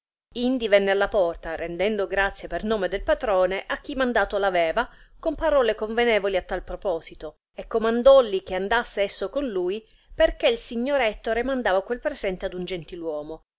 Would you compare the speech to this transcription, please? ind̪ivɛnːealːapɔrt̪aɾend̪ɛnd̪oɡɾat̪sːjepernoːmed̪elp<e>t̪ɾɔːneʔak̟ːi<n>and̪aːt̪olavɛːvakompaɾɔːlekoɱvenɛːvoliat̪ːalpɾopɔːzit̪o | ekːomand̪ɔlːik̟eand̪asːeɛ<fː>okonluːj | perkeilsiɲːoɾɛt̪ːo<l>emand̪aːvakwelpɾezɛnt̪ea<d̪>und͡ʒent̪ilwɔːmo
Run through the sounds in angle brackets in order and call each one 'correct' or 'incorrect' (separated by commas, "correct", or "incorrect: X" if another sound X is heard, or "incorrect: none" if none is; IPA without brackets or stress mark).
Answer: incorrect: a, incorrect: m, incorrect: sː, incorrect: ɾ, correct